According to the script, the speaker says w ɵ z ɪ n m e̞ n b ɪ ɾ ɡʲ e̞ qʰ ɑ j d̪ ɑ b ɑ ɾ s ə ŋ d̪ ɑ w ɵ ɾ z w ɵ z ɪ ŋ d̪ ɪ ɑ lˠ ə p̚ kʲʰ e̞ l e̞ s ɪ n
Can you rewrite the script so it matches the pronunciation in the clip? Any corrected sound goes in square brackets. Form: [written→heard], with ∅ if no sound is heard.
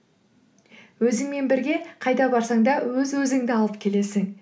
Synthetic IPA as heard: w ɵ z ɪ [n→ŋ] m e̞ n b ɪ ɾ ɡʲ e̞ qʰ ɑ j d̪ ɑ b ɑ ɾ s [ə→ɑ] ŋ d̪ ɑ w ɵ [ɾ→∅] z w ɵ z ɪ ŋ d̪ ɪ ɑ lˠ ə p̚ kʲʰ e̞ l e̞ s ɪ [n→ŋ]